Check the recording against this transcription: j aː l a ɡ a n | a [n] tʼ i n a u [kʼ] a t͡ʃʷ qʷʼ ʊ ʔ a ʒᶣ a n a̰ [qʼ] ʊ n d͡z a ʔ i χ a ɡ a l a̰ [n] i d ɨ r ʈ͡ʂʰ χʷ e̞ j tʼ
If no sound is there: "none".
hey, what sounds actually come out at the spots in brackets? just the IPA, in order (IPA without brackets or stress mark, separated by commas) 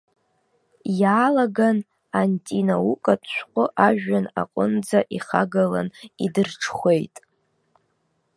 n, kʼ, qʼ, n